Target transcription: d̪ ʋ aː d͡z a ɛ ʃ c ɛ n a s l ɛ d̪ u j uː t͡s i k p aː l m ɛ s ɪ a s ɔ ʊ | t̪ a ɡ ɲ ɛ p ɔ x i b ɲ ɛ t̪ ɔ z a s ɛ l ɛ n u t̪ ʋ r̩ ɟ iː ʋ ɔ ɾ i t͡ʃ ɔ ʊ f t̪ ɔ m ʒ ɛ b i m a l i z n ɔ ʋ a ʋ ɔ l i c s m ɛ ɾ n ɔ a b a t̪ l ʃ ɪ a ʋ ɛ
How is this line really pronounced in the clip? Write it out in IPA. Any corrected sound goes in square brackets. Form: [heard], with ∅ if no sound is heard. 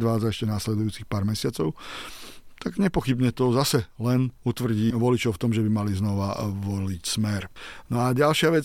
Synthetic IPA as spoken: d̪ ʋ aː d͡z a ɛ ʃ c ɛ n a s l ɛ d̪ u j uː t͡s i [x] p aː [ɾ] m ɛ s ɪ a [t͡s] ɔ ʊ | t̪ a ɡ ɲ ɛ p ɔ x i b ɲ ɛ t̪ ɔ z a s ɛ l ɛ n u t̪ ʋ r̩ ɟ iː ʋ ɔ [l] i t͡ʃ ɔ ʊ f t̪ ɔ m ʒ ɛ b i m a l i z n ɔ ʋ a ʋ ɔ l i c s m ɛ ɾ n ɔ a [ɟ] a [∅] l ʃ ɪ a ʋ ɛ